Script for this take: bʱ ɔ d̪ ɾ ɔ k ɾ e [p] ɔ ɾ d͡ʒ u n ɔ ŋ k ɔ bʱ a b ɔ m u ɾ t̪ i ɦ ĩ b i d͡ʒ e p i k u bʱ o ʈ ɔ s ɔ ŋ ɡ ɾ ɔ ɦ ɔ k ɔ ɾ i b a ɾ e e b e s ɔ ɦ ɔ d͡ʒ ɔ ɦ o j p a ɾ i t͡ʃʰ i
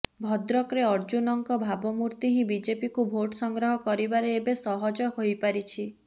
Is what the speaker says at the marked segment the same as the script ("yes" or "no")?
no